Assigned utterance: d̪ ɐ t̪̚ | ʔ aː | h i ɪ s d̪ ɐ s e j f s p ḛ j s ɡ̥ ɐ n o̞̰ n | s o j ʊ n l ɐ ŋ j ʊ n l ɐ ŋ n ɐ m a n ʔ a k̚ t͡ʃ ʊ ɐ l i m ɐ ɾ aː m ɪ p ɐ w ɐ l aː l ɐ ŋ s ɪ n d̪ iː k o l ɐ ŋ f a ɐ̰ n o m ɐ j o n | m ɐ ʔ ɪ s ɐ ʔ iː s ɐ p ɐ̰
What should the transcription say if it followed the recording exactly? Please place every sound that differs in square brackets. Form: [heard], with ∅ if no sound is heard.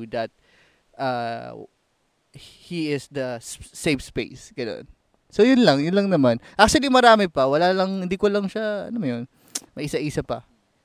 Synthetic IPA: d̪ ɐ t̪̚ | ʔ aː | h i ɪ s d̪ ɐ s e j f s p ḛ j s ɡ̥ ɐ n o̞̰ n | s o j ʊ n l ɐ ŋ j ʊ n l ɐ ŋ n ɐ m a n ʔ a k̚ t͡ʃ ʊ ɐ l i m ɐ ɾ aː m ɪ p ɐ w ɐ l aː l ɐ ŋ [h] ɪ n d̪ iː k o l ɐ ŋ [ʃ] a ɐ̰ n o m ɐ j o n | m ɐ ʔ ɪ s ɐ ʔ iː s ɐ p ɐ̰